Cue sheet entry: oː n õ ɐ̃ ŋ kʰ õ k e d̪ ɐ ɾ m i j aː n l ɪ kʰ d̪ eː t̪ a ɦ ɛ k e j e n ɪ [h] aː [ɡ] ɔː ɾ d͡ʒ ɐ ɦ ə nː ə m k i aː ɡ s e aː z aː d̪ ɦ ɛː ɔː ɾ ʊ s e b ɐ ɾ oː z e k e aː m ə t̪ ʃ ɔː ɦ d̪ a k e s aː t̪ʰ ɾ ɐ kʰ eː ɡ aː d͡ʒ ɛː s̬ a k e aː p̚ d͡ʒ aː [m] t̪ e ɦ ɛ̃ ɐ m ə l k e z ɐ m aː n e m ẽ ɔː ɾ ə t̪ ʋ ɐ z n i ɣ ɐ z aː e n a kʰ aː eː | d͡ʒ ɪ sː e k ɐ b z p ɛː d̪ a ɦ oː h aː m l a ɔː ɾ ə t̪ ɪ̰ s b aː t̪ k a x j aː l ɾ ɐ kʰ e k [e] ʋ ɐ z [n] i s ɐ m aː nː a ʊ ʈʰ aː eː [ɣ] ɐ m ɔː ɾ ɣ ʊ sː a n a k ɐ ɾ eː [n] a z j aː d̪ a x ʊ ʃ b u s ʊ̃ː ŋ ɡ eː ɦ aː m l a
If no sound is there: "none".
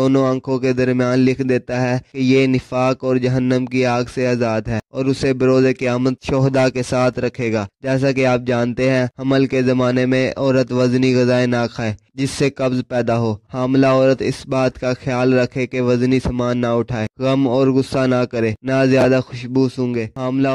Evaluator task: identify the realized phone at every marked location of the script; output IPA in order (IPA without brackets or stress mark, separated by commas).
f, k, n, e, n, ɣ, n